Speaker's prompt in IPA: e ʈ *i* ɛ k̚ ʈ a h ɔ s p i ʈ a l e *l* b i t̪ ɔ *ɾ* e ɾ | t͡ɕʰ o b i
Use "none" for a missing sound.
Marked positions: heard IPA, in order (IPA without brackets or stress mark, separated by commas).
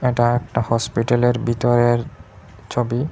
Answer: a, ɾ, ɾ